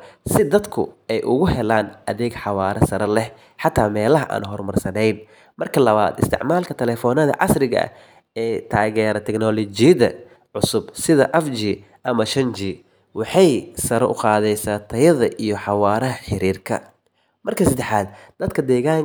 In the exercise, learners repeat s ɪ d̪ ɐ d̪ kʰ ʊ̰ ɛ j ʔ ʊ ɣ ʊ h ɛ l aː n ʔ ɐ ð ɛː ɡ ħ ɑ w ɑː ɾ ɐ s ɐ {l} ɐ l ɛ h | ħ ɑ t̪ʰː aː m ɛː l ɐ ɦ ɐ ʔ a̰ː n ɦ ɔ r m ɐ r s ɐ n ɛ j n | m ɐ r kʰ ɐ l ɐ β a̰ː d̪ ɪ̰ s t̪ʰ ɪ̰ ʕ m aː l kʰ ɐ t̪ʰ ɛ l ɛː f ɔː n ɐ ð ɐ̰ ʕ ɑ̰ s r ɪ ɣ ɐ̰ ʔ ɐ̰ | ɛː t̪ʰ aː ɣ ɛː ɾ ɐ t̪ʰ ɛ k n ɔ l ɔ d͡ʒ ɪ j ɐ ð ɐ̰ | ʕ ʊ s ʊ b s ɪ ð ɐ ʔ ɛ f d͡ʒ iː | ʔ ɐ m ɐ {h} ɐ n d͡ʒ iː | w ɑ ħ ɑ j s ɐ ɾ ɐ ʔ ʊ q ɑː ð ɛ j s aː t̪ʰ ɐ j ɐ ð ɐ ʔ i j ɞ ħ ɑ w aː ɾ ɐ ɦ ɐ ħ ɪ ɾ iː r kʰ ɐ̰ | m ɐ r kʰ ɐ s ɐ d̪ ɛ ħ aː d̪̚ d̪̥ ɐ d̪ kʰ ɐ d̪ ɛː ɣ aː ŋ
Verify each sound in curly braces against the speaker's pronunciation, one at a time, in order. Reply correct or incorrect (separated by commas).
incorrect, incorrect